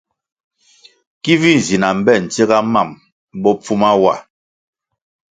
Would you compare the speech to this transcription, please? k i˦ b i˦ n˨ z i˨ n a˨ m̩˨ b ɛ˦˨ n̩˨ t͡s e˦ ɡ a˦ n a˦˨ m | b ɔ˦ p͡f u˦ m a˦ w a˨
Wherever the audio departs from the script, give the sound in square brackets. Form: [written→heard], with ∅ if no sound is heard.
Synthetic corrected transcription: k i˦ [b→v] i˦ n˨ z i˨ n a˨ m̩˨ b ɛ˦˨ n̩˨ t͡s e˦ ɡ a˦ [n→m] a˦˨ m | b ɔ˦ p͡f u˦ m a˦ w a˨

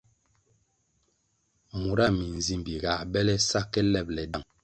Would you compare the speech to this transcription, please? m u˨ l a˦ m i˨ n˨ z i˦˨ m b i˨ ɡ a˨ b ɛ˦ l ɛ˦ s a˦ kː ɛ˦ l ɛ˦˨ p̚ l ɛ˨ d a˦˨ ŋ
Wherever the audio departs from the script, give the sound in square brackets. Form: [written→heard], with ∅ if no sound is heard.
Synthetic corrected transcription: m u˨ [l→ɾ] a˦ m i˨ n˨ z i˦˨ m b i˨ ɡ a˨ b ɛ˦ l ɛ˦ s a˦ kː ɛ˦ l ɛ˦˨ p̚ l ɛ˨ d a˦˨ ŋ

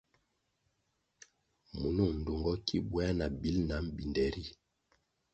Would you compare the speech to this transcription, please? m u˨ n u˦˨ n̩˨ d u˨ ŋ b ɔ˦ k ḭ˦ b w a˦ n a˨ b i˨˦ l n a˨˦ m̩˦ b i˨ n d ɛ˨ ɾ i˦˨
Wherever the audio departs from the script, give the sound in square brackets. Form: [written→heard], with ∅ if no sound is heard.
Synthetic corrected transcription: m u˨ n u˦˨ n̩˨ d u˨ ŋ [b→ɡ] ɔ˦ k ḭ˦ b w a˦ n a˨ b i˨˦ l n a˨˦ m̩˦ b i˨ n d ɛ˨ ɾ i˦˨

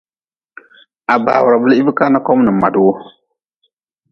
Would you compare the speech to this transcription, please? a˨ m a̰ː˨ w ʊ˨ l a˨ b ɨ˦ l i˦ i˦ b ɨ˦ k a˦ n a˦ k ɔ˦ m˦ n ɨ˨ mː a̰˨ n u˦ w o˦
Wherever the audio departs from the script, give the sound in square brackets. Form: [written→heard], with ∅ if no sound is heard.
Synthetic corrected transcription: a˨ [m→b] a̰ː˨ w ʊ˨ [l→ɾ] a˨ b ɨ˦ l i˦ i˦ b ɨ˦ k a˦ n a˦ k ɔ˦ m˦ n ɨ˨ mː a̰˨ [n→d] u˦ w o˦

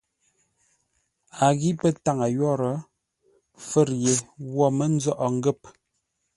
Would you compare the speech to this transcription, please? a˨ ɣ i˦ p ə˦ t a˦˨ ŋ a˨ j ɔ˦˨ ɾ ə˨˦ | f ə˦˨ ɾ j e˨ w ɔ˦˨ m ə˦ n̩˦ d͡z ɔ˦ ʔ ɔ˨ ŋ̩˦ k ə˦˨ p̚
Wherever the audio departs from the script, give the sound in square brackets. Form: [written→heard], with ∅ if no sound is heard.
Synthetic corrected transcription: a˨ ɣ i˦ p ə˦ t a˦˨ ŋ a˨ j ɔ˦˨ ɾ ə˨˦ | f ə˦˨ ɾ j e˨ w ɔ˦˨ m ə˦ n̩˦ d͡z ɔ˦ ʔ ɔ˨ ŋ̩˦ [k→ɡ] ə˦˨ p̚

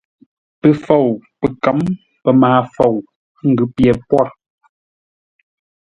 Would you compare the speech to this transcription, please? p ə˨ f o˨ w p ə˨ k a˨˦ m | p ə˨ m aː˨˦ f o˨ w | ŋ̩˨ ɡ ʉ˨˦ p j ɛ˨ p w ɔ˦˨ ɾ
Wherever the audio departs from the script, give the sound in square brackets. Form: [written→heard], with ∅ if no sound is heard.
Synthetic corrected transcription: p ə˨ f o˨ w p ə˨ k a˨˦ m | p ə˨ m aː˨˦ f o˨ w | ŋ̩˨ ɡ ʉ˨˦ p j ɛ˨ p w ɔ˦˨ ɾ

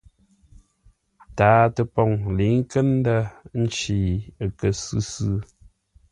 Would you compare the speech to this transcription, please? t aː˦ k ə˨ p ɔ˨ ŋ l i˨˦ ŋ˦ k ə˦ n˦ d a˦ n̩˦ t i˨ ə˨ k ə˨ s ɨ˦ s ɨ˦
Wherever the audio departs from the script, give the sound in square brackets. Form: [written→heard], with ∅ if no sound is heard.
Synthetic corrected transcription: t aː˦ [k→t] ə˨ p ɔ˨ ŋ l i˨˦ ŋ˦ k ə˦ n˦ d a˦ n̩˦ [t→t͡ʃ] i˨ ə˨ k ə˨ s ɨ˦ s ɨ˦

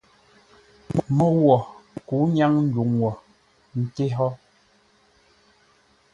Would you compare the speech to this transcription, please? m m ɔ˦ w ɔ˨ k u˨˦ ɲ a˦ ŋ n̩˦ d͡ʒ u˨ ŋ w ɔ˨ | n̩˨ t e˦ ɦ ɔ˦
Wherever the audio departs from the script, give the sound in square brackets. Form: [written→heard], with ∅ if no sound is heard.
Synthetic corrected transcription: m m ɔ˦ w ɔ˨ k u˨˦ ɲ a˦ ŋ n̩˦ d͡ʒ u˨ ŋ w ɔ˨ | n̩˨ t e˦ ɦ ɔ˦

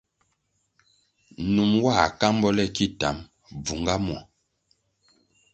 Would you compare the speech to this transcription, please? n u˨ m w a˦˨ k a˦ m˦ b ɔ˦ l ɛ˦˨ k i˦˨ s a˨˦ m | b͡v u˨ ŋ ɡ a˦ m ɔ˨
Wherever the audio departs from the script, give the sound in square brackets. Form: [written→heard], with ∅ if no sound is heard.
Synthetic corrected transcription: n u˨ m w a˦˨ k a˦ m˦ b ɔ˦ l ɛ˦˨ k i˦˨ [s→t] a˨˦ m | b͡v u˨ ŋ ɡ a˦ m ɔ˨

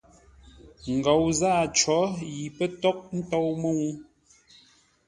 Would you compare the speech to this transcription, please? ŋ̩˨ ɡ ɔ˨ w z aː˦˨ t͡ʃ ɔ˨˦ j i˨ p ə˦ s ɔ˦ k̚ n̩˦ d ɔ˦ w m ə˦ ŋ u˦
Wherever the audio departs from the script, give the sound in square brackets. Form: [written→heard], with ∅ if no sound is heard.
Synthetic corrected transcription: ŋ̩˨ ɡ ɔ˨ w z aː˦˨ t͡ʃ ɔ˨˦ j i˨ p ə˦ [s→t] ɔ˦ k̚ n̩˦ [d→t] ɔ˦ w m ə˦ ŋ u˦

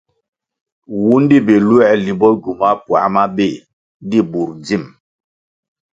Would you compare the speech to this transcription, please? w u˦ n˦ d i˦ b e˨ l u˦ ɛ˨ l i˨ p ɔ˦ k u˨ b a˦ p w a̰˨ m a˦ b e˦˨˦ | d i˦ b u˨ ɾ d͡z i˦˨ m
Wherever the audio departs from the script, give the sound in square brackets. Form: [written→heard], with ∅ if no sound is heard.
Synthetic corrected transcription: w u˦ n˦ d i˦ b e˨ l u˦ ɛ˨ l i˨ [p→b] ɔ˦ [k→ɡ] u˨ [b→m] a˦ p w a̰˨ m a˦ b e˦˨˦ | d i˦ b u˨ ɾ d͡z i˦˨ m

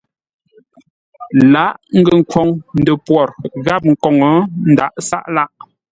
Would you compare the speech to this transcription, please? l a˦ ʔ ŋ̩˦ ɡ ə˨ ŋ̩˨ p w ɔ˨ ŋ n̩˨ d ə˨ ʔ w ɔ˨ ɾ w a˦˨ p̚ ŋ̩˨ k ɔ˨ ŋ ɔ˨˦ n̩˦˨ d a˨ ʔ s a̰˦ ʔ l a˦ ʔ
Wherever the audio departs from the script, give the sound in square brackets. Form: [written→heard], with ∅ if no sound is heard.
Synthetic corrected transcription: l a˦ ʔ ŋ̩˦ ɡ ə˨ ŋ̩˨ [p→k] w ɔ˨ ŋ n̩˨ d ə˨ [ʔ→p] w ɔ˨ ɾ [w→ɣ] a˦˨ p̚ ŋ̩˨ k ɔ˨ ŋ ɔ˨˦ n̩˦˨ d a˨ ʔ s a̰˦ ʔ l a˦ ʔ

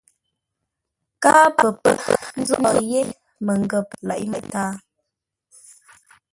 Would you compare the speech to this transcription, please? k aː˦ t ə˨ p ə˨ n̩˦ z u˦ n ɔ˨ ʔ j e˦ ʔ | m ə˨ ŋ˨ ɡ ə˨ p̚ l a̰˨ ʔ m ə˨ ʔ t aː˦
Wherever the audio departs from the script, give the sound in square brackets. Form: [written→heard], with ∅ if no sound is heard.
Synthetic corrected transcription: k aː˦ [t→p] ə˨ p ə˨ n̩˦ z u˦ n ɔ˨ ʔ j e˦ [ʔ→∅] | m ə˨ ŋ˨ ɡ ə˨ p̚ l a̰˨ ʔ m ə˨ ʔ t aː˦

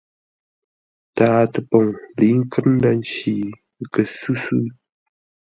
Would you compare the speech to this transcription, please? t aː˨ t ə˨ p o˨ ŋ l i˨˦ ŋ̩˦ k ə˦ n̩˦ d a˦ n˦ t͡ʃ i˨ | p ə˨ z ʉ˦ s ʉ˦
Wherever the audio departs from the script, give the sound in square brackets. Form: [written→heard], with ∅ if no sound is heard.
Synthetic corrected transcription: t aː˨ t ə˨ p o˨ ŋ l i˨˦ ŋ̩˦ k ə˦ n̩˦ d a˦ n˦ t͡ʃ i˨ | [p→k] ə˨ [z→s] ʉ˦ s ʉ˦

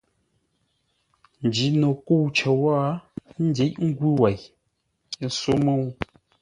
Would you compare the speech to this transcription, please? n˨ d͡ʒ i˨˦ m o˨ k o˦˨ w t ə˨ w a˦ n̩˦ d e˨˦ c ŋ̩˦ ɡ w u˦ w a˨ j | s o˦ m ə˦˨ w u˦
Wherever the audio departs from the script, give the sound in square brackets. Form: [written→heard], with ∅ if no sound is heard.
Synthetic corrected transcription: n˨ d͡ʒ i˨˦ [m→n] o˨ k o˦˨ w [t→t͡ʃ] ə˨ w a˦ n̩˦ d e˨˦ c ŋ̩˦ ɡ w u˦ w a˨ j | s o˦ m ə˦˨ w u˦

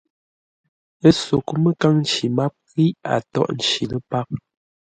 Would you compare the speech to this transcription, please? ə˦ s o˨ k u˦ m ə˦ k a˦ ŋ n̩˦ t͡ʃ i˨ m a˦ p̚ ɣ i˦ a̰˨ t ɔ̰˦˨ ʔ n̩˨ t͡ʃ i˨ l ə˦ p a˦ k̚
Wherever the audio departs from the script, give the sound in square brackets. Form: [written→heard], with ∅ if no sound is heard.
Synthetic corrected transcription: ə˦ s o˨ k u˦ m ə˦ k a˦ ŋ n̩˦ t͡ʃ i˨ m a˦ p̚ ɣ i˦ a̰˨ t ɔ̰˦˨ ʔ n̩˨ t͡ʃ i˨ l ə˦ p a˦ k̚

